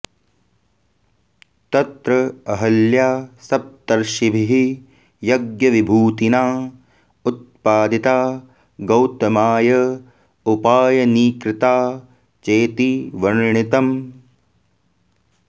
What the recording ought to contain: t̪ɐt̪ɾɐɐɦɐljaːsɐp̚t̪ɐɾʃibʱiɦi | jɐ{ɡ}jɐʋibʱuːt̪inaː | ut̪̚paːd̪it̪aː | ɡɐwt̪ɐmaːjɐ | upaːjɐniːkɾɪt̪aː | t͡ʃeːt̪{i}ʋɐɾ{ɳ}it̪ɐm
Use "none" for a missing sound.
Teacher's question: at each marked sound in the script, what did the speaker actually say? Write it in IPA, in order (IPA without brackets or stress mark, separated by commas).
ɡ, i, ɳ